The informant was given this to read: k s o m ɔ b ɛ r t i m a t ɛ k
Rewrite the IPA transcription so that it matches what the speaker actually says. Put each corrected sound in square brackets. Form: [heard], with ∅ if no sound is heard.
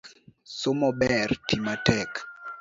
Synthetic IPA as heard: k s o m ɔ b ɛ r t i m a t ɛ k